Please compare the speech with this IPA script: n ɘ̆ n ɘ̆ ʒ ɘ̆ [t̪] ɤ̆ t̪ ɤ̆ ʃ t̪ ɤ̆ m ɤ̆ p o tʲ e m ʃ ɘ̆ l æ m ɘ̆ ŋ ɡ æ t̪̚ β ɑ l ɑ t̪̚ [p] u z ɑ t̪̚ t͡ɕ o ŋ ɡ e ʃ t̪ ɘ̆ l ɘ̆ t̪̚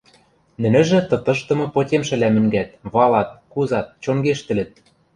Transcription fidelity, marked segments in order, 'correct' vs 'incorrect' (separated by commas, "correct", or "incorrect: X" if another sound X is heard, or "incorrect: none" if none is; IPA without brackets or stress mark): correct, incorrect: k